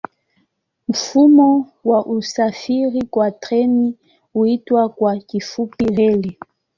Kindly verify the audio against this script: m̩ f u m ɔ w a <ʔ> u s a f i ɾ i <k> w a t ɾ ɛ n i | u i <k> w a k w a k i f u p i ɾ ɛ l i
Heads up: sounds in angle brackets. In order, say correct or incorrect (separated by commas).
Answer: correct, correct, incorrect